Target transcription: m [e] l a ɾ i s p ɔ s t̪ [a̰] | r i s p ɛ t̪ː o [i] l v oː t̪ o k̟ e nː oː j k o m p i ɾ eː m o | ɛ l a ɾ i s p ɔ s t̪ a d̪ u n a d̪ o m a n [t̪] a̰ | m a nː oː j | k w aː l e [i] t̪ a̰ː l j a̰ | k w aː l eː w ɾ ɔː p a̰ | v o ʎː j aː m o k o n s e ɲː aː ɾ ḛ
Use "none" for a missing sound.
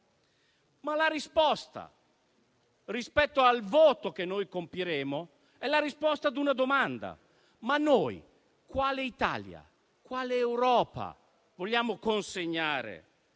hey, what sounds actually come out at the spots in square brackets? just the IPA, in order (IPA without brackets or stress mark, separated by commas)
a, a̰, a, d̪, i